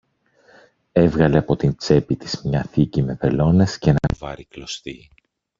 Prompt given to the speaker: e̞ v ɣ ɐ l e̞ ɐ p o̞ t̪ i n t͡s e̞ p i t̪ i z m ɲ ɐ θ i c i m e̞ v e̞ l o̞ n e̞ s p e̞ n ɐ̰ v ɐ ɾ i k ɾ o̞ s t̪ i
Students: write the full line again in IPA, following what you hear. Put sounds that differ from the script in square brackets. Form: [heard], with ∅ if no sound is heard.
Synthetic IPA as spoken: e̞ v ɣ ɐ l e̞ ɐ p o̞ t̪ i n t͡s e̞ p i t̪ i z m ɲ ɐ θ i c i m e̞ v e̞ l o̞ n e̞ s [c] e̞ n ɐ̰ v ɐ ɾ i k [l] o̞ s t̪ i